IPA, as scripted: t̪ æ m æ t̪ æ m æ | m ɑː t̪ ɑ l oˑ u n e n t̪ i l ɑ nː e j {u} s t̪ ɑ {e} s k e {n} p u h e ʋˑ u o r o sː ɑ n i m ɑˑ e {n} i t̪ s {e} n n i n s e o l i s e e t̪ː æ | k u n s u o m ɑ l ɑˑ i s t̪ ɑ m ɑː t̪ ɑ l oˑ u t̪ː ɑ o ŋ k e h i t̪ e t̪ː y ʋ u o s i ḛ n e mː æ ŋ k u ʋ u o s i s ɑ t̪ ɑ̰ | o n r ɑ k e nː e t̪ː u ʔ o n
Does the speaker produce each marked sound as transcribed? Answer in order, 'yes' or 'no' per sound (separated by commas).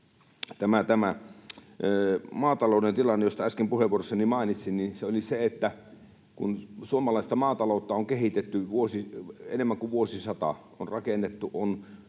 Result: no, no, no, yes, no